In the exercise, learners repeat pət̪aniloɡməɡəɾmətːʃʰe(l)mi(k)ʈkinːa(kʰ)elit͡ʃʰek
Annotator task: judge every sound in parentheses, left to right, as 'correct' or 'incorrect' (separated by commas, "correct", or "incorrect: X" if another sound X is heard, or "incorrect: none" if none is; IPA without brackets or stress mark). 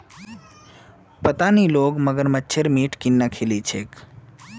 incorrect: ɾ, incorrect: none, correct